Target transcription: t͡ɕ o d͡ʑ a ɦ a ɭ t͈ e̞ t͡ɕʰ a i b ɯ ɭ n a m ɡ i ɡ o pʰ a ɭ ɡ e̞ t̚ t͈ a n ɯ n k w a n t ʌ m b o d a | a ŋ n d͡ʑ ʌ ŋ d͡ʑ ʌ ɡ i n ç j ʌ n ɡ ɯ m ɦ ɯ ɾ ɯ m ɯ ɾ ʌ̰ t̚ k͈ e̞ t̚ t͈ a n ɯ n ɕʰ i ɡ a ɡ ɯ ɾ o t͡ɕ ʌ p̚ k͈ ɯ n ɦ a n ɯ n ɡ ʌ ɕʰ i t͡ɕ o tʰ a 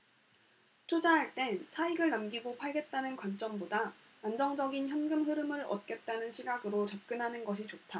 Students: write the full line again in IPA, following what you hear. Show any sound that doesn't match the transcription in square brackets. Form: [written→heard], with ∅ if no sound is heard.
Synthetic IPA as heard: [t͡ɕ→t͡ɕʰ] o d͡ʑ a ɦ a ɭ t͈ e̞ t͡ɕʰ a i [b→ɡ] ɯ ɭ n a m ɡ i ɡ o pʰ a ɭ ɡ e̞ t̚ t͈ a n ɯ n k w a n [t→t͡ɕ͈] ʌ m b o d a | a [ŋ→∅] n d͡ʑ ʌ ŋ d͡ʑ ʌ ɡ i n ç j ʌ n ɡ ɯ m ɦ ɯ ɾ ɯ m ɯ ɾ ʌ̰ t̚ k͈ e̞ t̚ t͈ a n ɯ n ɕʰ i ɡ a ɡ ɯ ɾ o t͡ɕ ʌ p̚ k͈ ɯ n ɦ a n ɯ n ɡ ʌ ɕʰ i t͡ɕ o tʰ a